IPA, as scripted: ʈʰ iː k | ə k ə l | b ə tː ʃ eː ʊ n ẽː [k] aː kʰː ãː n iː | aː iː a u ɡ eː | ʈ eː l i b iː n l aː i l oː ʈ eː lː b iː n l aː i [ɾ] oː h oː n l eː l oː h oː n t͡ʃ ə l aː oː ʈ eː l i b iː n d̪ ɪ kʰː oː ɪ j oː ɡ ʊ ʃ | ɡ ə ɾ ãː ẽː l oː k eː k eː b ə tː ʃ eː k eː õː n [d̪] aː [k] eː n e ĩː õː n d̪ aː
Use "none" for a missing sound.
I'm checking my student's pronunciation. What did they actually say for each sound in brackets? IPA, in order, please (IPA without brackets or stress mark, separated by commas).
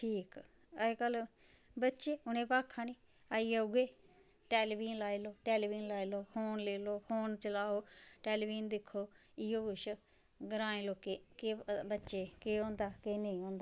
p, l, d̪, k